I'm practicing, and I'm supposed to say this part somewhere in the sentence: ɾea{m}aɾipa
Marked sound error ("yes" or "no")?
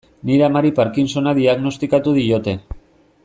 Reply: no